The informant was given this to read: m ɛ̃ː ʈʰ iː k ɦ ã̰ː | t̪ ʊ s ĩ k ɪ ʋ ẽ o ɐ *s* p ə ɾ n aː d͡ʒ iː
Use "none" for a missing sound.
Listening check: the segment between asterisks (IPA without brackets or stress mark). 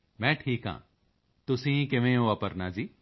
none